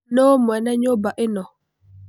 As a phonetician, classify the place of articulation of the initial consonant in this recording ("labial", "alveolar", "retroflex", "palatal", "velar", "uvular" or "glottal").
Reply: alveolar